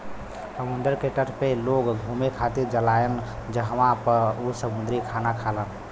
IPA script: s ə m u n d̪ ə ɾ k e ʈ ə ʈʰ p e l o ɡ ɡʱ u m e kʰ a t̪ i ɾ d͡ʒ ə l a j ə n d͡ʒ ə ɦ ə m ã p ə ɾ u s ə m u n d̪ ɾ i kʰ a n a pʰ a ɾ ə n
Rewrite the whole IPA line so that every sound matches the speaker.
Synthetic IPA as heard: s ə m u n d̪ ə ɾ k e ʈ ə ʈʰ p e l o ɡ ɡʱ u m e kʰ a t̪ i ɾ d͡ʒ ə l a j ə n d͡ʒ ə ɦ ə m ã p ə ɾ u s ə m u n d̪ ɾ i kʰ a n a kʰ a l ə n